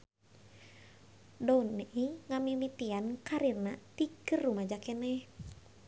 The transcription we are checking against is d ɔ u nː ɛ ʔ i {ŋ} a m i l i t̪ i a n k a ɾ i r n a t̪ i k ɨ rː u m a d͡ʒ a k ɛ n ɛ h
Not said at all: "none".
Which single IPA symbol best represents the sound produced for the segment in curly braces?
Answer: ŋ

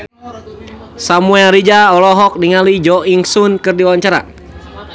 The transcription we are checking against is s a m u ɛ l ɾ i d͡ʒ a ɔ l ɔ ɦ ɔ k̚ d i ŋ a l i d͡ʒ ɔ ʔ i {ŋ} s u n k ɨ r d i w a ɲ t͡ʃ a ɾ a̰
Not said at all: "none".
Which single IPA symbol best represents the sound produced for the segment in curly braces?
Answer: ŋ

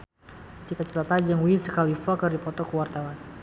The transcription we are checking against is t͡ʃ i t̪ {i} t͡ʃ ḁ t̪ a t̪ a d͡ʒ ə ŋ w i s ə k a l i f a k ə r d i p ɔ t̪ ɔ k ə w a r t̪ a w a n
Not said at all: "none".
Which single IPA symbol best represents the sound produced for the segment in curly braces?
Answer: a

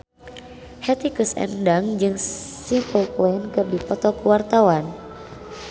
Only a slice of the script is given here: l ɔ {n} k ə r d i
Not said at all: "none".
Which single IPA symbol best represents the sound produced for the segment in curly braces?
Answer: n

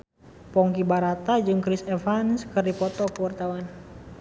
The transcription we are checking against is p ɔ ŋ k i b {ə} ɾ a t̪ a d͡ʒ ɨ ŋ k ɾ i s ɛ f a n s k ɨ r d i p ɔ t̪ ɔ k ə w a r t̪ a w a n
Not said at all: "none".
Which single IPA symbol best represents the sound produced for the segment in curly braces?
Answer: a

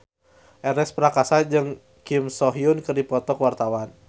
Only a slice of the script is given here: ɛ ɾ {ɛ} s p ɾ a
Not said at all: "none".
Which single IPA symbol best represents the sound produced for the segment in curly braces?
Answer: ɛ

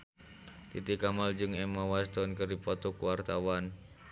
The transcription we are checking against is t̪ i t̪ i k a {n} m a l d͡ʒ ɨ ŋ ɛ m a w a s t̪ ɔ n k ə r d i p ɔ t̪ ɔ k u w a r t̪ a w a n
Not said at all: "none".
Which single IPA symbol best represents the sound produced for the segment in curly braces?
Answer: none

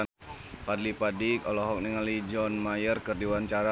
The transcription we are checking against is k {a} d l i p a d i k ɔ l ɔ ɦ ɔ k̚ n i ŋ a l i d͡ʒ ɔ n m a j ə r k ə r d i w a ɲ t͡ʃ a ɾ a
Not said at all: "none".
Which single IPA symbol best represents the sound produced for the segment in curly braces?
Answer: a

